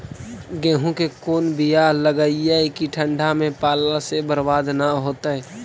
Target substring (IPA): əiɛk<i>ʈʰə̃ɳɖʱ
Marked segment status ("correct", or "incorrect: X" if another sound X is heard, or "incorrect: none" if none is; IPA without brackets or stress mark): correct